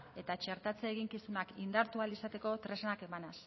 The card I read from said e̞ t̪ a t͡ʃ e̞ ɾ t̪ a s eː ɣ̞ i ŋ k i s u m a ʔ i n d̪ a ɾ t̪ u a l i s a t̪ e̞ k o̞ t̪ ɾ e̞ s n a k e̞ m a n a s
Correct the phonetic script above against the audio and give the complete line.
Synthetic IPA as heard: e̞ t̪ a t͡ʃ e̞ ɾ t̪ a t͡s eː ɣ̞ i ŋ k i s u n a k i n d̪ a ɾ t̪ u a l i s a t̪ e̞ k o̞ t̪ ɾ e̞ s n a k e̞ m a n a s